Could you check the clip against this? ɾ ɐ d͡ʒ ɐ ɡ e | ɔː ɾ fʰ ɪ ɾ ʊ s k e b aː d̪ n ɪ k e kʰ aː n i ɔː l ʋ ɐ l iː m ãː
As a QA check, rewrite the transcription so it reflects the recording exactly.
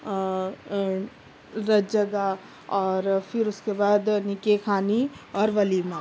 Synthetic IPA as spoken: ɾ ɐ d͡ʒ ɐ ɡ a | ɔː ɾ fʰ ɪ ɾ ʊ s k e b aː d̪ n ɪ k e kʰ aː n i ɔː ɾ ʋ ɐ l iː m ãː